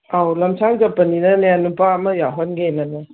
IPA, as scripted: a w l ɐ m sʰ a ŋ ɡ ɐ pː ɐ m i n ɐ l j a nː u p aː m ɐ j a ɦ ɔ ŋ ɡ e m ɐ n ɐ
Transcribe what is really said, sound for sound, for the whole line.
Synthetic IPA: a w l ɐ m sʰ a ŋ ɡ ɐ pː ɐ n i n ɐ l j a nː u p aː m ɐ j a ɦ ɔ n ɡ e n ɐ n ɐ

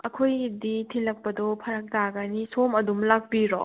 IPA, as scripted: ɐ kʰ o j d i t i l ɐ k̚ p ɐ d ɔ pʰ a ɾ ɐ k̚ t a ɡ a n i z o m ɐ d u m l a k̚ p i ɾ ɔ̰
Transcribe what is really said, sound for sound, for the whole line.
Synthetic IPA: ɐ kʰ o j d i tʰ i l ɐ k̚ p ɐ d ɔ pʰ ɐ ɾ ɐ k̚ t a ɡ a n i s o m ɐ d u m l a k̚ p i ɾ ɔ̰

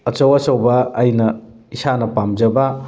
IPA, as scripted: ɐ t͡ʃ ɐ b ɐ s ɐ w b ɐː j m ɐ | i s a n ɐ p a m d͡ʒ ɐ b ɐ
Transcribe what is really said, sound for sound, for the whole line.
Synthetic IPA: ɐ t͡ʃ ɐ w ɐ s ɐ w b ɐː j n ɐ | i s a n ɐ p a m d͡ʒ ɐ b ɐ

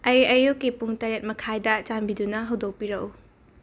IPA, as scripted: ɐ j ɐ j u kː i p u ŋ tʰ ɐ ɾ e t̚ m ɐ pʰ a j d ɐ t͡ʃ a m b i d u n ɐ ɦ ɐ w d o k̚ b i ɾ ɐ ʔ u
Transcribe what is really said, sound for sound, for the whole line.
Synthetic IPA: ɐ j ɐ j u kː i p u ŋ t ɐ ɾ e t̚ m ɐ kʰ a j d ɐ t͡ʃ a m b i d u n ɐ ɦ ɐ w d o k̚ p i ɾ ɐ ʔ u

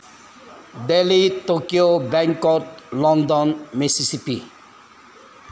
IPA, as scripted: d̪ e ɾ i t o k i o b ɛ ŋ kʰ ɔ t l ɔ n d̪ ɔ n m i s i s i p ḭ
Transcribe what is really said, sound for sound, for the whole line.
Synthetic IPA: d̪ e l i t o k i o b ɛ ŋ k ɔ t l ɔ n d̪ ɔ n m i s i s i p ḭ

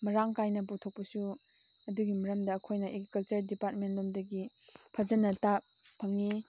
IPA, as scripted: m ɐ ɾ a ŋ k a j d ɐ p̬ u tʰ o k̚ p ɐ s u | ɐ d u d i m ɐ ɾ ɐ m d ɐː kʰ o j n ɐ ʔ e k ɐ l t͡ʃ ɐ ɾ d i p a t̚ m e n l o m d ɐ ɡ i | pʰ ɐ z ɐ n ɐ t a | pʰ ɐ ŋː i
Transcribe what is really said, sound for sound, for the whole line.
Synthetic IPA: m ɐ ɾ a ŋ k a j n ɐ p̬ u tʰ o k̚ p ɐ s u | ɐ d u ɡ i m ɐ ɾ ɐ m d ɐː kʰ o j n ɐ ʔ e k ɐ l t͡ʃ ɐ ɾ d i p a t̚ m e n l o m d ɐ ɡ i | pʰ ɐ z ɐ n ɐ t a | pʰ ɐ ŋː i

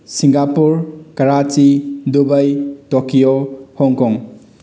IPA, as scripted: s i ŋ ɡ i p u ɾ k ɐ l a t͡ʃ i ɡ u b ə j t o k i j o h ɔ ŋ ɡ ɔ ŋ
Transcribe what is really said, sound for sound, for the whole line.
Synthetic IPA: s i ŋ ɡ a p u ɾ k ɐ ɾ a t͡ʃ i d u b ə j t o k i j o h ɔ ŋ k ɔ ŋ

